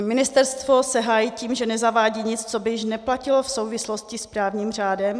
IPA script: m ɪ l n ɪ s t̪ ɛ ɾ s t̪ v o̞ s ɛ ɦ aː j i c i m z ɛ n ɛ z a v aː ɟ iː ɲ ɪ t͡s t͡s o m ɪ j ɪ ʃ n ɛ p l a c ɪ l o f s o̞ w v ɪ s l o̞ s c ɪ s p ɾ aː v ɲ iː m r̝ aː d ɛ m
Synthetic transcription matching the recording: m ɪ n ɪ s t̪ ɛ ɾ s t̪ v o̞ s ɛ ɦ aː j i c iː m ʒ ɛ n ɛ z a v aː ɟ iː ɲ ɪ t͡s t͡s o b ɪ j ɪ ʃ n ɛ p l a c ɪ l o f s o̞ w v ɪ s l o̞ s c ɪ s p ɾ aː v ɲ iː m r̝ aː d ɛ m